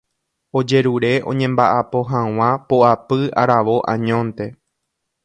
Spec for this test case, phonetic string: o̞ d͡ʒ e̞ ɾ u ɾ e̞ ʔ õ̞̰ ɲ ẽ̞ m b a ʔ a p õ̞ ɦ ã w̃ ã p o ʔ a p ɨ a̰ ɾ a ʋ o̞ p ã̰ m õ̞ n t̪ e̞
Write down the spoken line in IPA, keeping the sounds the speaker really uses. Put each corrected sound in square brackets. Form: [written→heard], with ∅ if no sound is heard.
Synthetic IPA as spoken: o̞ d͡ʒ e̞ ɾ u ɾ e̞ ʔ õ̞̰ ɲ ẽ̞ m b a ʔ a p [õ̞→o̞] ɦ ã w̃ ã p o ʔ a p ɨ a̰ ɾ a ʋ o̞ [p→ʔ] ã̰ [m→ɲ] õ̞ n t̪ e̞